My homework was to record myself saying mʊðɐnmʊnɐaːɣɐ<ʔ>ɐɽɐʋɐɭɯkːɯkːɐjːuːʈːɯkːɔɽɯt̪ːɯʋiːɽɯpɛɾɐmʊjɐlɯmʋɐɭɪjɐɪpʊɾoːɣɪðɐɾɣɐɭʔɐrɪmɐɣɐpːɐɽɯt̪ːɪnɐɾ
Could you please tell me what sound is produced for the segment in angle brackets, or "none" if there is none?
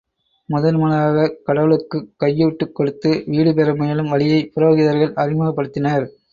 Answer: k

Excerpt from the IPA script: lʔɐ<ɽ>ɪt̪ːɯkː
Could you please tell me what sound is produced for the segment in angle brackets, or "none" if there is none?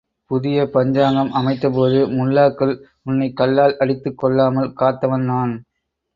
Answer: ɽ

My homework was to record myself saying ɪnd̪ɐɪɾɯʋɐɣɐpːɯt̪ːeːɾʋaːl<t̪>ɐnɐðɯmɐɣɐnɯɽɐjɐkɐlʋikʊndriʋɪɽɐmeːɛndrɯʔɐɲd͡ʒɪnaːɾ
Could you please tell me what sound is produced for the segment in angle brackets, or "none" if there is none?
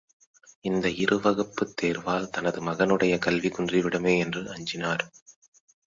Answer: t̪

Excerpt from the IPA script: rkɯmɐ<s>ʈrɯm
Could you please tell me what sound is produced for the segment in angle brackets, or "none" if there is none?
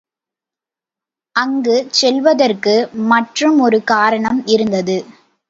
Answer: none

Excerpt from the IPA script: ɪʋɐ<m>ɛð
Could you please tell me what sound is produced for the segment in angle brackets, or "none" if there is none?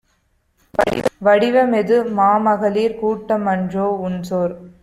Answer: m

